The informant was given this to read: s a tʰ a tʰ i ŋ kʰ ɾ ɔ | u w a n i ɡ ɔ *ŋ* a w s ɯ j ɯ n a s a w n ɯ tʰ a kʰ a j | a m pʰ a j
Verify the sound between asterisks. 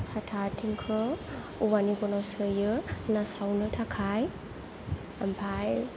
incorrect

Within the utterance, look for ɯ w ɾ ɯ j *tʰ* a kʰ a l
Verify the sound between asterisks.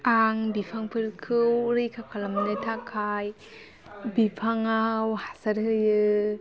incorrect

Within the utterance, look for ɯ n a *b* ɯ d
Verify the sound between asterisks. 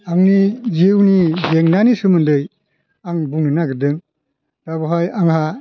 incorrect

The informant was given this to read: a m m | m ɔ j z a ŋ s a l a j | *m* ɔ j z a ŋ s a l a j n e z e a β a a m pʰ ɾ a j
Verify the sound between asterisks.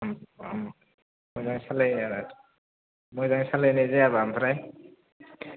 correct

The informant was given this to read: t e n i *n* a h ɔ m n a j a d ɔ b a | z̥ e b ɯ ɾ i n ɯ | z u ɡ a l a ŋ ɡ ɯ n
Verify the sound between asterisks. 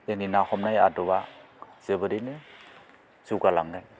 correct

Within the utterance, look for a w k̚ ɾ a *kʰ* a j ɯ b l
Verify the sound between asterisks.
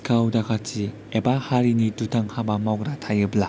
incorrect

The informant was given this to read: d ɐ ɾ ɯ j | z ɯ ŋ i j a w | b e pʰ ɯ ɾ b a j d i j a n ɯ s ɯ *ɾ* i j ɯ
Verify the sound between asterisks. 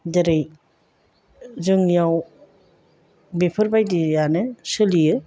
incorrect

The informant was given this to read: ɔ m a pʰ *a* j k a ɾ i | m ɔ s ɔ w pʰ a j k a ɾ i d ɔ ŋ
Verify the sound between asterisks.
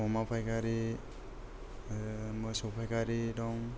correct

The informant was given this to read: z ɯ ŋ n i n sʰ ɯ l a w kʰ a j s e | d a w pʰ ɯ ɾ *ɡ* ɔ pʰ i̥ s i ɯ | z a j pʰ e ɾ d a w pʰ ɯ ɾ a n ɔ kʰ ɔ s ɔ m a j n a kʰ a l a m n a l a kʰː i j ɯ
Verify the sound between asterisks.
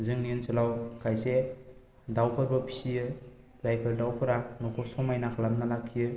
incorrect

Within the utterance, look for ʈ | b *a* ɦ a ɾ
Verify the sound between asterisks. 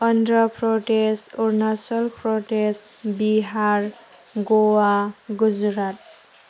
incorrect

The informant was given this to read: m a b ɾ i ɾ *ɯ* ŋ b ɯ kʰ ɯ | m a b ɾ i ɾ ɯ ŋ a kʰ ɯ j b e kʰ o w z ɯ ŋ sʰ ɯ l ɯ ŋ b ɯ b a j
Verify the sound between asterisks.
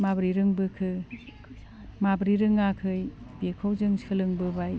correct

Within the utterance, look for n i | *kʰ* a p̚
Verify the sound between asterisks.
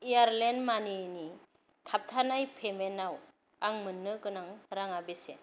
incorrect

